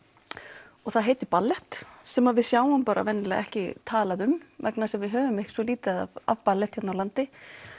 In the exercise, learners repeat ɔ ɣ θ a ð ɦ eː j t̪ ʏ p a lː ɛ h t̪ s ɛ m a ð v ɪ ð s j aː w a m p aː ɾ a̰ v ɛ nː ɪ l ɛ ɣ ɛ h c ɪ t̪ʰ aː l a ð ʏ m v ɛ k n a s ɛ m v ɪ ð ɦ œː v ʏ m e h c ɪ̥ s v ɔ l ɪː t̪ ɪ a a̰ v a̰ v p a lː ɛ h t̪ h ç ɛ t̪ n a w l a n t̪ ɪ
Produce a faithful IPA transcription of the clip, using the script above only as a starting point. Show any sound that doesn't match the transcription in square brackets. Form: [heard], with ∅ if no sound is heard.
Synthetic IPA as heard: ɔ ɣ θ a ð ɦ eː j t̪ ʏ p a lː ɛ h t̪ s ɛ m a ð v ɪ ð s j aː w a m p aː ɾ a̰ v ɛ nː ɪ l ɛ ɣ ɛ h c ɪ t̪ʰ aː l a ð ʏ m v ɛ k n a s ɛ m v ɪ ð ɦ œː v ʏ m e h c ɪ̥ s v ɔ l [iː] t̪ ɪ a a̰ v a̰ v p a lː ɛ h t̪ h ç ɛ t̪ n a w l a n t̪ ɪ